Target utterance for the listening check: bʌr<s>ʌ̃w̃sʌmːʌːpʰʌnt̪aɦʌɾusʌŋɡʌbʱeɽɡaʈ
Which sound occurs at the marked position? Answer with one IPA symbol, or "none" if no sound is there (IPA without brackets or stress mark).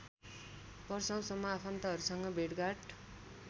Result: s